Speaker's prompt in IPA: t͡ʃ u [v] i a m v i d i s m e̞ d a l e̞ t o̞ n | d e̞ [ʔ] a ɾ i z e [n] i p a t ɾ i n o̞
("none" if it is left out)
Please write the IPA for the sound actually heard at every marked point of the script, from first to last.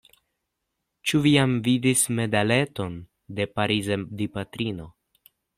v, p, d

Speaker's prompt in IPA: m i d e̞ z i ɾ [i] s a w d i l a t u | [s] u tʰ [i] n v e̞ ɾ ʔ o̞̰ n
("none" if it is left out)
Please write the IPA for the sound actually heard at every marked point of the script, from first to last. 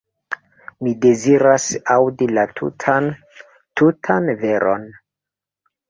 a, t, a

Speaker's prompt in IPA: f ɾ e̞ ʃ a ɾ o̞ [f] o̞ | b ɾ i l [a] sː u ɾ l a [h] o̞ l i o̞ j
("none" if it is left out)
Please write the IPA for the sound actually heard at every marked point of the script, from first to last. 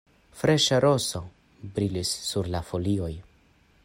s, i, f

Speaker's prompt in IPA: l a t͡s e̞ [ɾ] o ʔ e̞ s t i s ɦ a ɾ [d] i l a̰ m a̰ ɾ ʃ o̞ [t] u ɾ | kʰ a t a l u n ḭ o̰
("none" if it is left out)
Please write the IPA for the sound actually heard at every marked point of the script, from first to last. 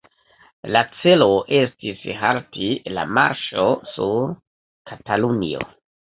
l, t, s

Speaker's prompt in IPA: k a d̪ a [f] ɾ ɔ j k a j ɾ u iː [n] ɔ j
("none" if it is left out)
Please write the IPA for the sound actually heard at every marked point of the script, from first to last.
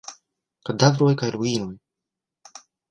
v, n

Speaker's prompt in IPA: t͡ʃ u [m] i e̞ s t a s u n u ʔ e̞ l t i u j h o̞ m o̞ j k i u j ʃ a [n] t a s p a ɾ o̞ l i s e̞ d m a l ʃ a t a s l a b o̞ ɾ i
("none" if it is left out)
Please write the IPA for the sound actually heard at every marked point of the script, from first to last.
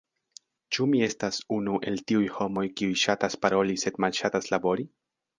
m, none

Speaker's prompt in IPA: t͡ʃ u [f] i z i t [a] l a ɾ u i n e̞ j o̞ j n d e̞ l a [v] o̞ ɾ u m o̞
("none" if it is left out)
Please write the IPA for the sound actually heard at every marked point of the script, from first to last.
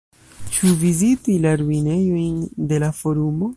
v, i, f

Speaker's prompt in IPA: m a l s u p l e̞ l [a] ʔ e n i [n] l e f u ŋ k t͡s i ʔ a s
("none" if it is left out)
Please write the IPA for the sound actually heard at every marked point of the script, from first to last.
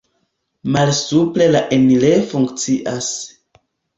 a, none

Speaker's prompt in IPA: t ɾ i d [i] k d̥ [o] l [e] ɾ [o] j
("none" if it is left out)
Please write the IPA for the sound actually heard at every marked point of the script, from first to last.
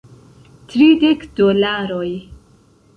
e, o, a, o

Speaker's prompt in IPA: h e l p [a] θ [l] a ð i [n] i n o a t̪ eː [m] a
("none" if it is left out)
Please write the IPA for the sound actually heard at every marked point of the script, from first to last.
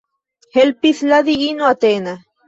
i, l, none, n

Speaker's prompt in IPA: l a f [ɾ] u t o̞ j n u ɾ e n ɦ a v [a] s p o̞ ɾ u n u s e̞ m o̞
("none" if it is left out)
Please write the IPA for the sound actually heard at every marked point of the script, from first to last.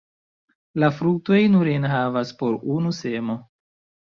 ɾ, a

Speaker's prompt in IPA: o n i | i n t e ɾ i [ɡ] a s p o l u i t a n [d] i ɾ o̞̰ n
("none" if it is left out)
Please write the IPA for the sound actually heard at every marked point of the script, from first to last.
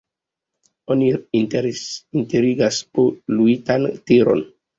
ɡ, t

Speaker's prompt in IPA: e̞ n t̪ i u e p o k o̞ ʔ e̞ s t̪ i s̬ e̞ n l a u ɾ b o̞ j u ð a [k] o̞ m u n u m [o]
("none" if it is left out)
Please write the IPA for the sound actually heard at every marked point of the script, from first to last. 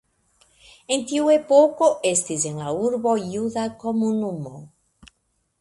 k, o

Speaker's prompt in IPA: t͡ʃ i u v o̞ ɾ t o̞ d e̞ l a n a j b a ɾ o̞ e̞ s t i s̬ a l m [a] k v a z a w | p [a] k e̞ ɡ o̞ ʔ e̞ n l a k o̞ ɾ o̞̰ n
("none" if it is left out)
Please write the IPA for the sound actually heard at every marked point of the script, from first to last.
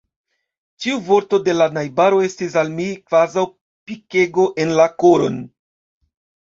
i, i

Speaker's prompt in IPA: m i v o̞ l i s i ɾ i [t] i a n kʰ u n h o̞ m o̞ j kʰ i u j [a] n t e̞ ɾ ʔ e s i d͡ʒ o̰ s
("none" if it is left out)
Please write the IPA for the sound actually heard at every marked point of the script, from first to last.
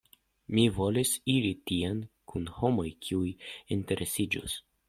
t, i

